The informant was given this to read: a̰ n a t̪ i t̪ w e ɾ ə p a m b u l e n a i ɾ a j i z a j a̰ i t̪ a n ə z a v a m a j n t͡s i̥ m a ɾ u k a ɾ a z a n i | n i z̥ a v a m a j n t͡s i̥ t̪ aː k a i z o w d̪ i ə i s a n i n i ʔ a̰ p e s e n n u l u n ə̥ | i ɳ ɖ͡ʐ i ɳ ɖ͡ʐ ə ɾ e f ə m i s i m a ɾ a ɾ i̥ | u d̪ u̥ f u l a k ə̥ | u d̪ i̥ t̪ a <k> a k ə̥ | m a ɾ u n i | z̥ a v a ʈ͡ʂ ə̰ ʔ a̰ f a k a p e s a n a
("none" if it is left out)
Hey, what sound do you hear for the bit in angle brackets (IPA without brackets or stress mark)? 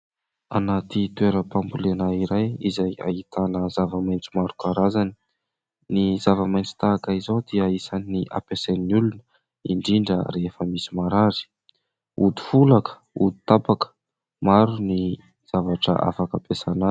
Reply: p